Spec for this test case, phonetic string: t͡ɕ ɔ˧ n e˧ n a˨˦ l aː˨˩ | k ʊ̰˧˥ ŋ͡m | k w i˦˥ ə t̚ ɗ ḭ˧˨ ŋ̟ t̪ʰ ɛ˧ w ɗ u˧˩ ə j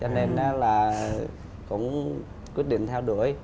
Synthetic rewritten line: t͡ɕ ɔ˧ n e˧ n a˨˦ l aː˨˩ | k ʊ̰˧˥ ŋ͡m | k w i˦˥ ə t̚ ɗ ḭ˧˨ ŋ̟ t̪ʰ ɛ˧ w ɗ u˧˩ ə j